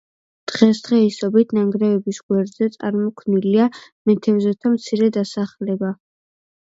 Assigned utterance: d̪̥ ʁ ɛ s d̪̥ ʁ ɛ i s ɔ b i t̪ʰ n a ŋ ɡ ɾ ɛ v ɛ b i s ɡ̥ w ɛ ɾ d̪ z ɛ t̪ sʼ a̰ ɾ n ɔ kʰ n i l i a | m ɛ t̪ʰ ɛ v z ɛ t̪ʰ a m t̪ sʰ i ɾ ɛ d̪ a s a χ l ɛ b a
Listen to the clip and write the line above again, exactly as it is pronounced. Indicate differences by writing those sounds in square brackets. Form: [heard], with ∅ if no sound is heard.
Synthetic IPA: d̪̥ ʁ ɛ s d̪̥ ʁ ɛ i s ɔ b i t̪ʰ n a ŋ ɡ ɾ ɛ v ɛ b i s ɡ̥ w ɛ ɾ d̪ z ɛ t̪ sʼ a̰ ɾ [m] ɔ kʰ n i l i a | m ɛ t̪ʰ ɛ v z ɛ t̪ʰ a m t̪ sʰ i ɾ ɛ d̪ a s a χ l ɛ b a